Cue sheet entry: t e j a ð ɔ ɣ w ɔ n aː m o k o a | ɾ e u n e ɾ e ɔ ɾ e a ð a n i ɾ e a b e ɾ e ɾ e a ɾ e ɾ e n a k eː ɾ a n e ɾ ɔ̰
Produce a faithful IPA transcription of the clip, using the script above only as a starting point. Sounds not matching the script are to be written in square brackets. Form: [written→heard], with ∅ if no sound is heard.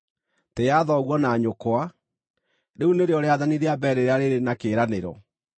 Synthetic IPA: t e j a ð ɔ ɣ w ɔ n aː [m→ɲ] o k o a | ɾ e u n e ɾ e ɔ ɾ e a ð a n i ɾ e a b [e→ɛ] ɾ e ɾ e a ɾ e ɾ e n a k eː ɾ a n e ɾ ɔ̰